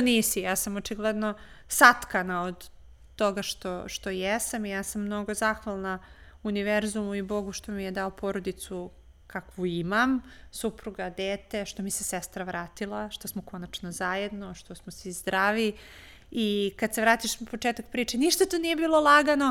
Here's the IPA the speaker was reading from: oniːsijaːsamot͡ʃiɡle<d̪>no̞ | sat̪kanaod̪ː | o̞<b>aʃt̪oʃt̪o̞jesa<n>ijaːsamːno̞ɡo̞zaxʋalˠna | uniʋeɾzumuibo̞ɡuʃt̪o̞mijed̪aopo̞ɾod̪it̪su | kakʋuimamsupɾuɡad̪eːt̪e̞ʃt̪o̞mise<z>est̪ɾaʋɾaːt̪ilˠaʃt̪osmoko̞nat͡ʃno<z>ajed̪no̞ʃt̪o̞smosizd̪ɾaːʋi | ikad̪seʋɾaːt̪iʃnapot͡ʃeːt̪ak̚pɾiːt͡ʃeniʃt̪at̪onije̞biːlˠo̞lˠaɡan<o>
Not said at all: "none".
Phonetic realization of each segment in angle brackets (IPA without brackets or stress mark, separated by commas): d̪, ɡ, m, s, z, o